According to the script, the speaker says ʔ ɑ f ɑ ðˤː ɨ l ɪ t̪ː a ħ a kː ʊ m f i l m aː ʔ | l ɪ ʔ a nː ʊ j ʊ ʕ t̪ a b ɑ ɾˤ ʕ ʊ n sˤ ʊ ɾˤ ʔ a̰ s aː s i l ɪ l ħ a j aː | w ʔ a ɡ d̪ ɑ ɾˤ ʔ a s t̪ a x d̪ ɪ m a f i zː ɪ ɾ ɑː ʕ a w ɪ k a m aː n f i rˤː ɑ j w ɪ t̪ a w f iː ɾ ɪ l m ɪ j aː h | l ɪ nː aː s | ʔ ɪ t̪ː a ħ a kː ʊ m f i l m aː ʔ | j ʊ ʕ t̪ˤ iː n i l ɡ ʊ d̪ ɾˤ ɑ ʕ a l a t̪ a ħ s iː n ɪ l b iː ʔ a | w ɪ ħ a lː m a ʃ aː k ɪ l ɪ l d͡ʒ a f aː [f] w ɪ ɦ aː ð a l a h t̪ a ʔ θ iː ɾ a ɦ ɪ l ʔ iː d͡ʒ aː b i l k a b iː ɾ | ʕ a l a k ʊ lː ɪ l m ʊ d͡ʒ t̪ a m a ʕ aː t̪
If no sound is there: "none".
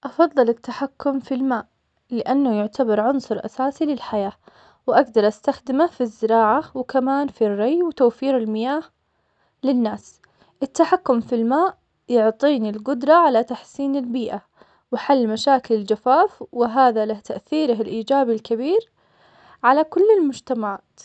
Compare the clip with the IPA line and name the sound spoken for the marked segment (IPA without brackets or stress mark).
f